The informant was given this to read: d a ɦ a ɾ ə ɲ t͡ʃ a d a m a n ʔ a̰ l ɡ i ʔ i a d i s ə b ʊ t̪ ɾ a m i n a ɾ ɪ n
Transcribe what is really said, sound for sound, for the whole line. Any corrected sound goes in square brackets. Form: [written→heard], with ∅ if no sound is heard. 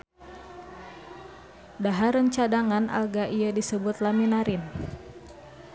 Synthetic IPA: d a ɦ a ɾ ə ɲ t͡ʃ a d a [m→ŋ] a n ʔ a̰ l ɡ [i→a] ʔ i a d i s ə b ʊ t̪ [ɾ→l] a m i n a ɾ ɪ n